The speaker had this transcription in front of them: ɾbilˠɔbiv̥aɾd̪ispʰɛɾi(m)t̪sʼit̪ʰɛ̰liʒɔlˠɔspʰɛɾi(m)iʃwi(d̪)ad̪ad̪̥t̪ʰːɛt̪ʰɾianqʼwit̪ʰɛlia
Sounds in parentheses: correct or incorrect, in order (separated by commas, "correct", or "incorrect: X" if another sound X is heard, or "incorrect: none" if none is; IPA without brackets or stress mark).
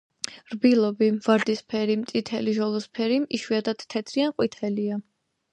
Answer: correct, correct, incorrect: none